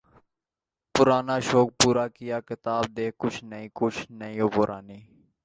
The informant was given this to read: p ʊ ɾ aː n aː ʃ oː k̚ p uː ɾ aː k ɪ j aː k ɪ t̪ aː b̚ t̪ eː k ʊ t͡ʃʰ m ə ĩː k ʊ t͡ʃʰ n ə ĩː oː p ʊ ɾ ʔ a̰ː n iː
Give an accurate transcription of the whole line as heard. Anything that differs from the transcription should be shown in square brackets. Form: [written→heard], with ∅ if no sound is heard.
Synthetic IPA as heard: p ʊ ɾ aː n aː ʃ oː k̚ p uː ɾ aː k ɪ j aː k ɪ t̪ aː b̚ [t̪→d̪] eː k ʊ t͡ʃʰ [m→n] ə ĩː k ʊ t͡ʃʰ n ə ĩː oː p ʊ ɾ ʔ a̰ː n iː

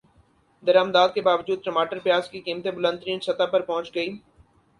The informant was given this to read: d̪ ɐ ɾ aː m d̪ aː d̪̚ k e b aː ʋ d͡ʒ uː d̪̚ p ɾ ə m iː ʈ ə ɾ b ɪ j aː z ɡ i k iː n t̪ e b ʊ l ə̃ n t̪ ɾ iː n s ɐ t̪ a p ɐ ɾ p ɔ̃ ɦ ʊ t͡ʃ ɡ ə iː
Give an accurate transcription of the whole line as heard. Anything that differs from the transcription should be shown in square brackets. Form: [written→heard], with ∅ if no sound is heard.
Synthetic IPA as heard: d̪ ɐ ɾ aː m d̪ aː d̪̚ k e b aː ʋ d͡ʒ uː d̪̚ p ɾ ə m [iː→aː] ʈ ə ɾ [b→p] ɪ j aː z [ɡ→k] i k iː [n→m] t̪ e b ʊ l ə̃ n t̪ ɾ iː n s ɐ t̪ a p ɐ ɾ p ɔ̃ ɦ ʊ t͡ʃ ɡ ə iː

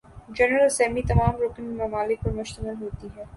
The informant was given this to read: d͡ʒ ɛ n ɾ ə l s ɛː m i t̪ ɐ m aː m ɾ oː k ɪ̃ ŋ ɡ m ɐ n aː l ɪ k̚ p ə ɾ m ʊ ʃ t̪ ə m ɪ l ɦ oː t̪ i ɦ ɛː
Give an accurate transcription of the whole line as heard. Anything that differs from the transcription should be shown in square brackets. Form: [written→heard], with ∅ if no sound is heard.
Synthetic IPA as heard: d͡ʒ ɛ n ɾ ə l s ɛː m i t̪ ɐ m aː m ɾ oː k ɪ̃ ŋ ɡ m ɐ [n→m] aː l ɪ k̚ p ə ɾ m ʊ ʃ t̪ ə m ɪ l ɦ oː t̪ i ɦ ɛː

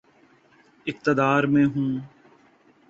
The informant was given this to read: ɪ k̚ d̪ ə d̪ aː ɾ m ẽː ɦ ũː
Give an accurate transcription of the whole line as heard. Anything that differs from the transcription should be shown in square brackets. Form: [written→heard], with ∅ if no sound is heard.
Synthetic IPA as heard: ɪ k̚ [d̪→t̪] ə d̪ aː ɾ m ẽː ɦ ũː

